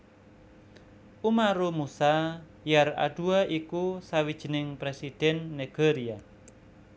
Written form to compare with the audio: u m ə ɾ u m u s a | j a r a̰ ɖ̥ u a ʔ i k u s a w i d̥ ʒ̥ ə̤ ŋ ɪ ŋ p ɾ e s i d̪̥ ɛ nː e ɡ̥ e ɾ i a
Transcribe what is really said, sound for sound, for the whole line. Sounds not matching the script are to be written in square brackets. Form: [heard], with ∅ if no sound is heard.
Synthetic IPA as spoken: u m [a] ɾ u m u s a | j a r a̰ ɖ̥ u a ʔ i k u s a w i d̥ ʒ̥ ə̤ [n] ɪ ŋ p ɾ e s i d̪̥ ɛ nː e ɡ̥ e ɾ i a